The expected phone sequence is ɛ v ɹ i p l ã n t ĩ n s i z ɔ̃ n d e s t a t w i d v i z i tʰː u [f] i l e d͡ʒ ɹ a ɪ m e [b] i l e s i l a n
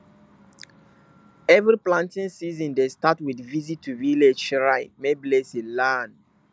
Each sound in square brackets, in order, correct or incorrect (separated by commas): incorrect, correct